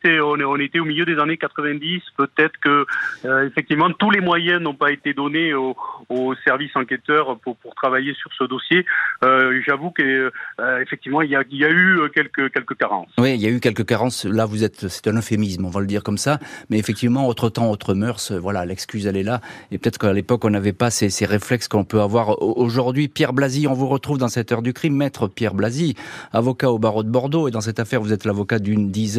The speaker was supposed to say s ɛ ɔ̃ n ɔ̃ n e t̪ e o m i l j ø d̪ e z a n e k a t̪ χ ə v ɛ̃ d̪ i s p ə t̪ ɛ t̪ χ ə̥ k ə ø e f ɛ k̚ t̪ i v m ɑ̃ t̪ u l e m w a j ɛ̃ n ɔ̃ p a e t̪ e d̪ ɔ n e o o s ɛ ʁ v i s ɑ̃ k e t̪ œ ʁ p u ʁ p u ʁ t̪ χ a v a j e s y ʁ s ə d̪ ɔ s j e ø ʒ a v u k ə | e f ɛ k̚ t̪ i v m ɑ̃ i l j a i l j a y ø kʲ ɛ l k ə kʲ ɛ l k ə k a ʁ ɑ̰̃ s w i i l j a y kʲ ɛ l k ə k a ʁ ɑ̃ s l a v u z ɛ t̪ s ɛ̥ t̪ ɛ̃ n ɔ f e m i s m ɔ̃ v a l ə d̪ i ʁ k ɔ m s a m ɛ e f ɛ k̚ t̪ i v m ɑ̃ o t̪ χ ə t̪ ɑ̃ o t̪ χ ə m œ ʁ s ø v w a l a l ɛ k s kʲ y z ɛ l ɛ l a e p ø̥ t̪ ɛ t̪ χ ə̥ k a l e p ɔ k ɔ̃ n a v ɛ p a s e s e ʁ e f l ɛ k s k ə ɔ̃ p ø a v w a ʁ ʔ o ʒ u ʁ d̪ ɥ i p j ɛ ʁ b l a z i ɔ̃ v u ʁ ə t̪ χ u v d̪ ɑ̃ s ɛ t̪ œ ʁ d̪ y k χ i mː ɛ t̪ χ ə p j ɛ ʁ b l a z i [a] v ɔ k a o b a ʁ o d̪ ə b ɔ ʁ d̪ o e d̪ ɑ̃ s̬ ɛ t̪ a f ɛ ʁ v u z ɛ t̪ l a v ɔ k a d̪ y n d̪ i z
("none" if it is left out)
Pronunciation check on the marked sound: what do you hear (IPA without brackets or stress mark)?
a